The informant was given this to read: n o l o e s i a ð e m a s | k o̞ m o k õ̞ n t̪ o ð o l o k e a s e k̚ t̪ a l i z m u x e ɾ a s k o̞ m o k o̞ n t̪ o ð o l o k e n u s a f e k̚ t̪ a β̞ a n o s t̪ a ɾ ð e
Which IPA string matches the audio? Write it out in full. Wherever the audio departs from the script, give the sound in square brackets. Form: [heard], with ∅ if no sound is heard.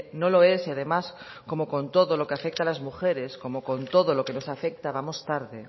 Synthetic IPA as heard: n o l o e s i a ð e m a s | k o̞ m o k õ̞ n t̪ o ð o l o k e a [f] e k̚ t̪ a l [a] z m u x e ɾ [e] s k o̞ m o k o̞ n t̪ o ð o l o k e n [o] s a f e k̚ t̪ a β̞ a [m] o s t̪ a ɾ ð e